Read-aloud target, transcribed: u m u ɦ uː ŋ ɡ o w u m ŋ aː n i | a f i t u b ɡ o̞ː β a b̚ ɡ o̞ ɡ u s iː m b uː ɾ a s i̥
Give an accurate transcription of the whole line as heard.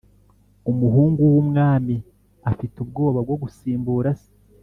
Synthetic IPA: u m u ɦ uː ŋ ɡ u w u m ŋ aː m i | a f i t u b ɡ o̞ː β a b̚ ɡ o̞ ɡ u s iː m b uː ɾ a s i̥

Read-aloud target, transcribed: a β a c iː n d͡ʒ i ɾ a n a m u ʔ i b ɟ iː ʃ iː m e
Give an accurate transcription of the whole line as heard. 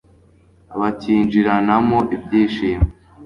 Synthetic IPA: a β a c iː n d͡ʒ i ɾ a n a m o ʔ i b ɟ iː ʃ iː m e

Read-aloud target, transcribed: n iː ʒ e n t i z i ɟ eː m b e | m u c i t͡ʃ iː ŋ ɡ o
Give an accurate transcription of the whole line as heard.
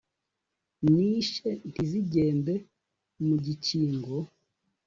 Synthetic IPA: n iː ʃ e n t i z i ɟ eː m b e | m u ɟ i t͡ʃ iː ŋ ɡ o

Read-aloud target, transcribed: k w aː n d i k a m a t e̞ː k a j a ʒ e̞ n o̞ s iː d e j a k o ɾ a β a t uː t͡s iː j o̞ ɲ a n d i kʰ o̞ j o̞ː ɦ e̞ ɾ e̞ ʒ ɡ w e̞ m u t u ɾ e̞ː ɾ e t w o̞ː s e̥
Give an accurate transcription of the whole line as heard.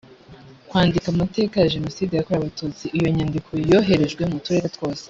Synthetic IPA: k w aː n d i k a m a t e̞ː k a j a ʒ e̞ n o̞ s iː d e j a k o ɾ a β a t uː t͡s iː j o̞ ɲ a n d i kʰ o̞ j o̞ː ɦ e̞ ɾ e̞ ʒ ɡ w e̞ m u t u ɾ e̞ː ɾ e t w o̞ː s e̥

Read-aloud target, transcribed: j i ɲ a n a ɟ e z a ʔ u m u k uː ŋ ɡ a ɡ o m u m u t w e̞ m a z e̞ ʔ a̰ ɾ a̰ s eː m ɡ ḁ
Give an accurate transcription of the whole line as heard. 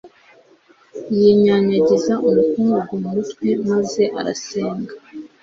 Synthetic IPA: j i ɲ a ɲ a ɟ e z a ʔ u m u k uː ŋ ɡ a ɡ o m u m u t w e̞ m a z e̞ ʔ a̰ ɾ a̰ s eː ŋ ɡ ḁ

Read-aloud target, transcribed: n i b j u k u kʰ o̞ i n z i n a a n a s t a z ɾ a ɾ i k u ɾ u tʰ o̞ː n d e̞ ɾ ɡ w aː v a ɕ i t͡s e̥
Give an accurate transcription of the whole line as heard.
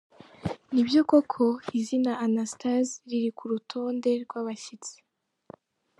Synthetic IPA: n i b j o k o kʰ o̞ i z i n a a n a s t a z ɾ i ɾ i k u ɾ u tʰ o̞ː n d e̞ ɾ ɡ w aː β a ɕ i t͡s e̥

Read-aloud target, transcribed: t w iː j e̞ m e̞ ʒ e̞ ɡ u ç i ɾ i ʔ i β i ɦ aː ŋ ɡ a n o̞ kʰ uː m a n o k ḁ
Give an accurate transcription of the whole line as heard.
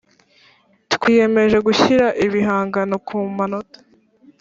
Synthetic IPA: t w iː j e̞ m e̞ ʒ e̞ ɡ u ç i ɾ a ʔ i β i ɦ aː ŋ ɡ a n o̞ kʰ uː m a n o t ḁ

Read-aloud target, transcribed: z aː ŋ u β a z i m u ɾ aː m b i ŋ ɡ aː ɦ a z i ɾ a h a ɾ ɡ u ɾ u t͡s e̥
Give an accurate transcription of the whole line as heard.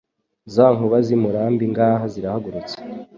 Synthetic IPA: z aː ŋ u β a z i m u ɾ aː m b i ŋ ɡ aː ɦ a z i ɾ a h a ɡ u ɾ u t͡s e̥

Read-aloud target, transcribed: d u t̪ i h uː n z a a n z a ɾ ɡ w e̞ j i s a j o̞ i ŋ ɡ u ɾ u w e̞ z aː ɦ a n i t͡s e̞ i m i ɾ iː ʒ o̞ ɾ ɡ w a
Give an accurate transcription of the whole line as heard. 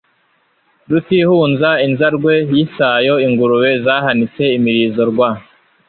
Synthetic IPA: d u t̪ i h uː n z a i n z a ɾ ɡ w e̞ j i s a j o̞ i ŋ ɡ u ɾ u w e̞ z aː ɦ a n i t͡s e̞ i m i ɾ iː z o̞ ɾ ɡ w a

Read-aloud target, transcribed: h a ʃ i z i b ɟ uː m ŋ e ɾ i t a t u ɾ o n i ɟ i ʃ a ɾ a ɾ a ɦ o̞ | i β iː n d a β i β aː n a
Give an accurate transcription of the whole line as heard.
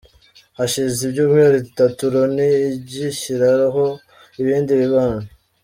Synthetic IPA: h a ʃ i z i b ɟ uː m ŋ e ɾ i t a t u ɾ o n i ɟ i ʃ i ɾ a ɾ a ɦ o̞ | i β iː n d i β i β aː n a

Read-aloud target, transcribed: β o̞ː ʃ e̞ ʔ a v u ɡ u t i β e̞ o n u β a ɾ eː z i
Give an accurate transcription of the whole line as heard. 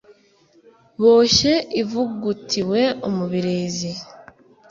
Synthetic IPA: β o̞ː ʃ e̞ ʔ i v u ɡ u t i w e̞ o m u β i ɾ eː z i

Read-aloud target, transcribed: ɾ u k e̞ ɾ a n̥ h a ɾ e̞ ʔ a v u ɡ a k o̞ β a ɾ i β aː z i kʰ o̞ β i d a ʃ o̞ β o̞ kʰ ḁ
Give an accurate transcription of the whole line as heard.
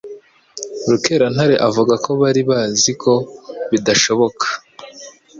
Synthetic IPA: ɾ u k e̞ ɾ a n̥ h a ɾ e̞ ʔ a v u ɡ a k o̞ β a ɾ i β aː z i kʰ o̞ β i d a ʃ o̞ β o̞ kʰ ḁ

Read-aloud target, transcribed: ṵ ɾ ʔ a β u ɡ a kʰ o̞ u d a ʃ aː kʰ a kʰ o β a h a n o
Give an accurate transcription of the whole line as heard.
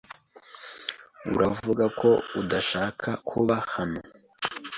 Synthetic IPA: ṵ ɾ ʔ a v u ɡ a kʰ o̞ u d a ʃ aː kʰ a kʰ u β a h a n o

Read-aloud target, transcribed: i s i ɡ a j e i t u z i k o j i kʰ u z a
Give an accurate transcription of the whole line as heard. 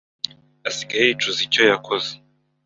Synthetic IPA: a s i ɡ a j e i t͡ʃ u z i c o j a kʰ o z e

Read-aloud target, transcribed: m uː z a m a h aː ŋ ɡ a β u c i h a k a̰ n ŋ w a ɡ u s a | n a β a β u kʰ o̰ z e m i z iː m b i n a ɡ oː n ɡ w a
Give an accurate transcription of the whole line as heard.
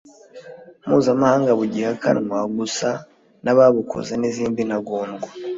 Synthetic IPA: m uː z a m a h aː ŋ ɡ a β u ɟ i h a k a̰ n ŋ w a ɡ u s a | n a β a β u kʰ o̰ z e n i z iː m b i n a ɡ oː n ɡ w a

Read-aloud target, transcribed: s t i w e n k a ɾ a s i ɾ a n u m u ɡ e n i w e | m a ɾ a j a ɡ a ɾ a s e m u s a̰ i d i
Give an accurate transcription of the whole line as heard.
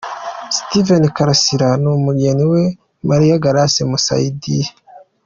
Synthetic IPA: s t i v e n k a ɾ a s i ɾ a n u m u ɡ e n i w e | m a ɾ i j a ɡ a ɾ a s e m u s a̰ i d i

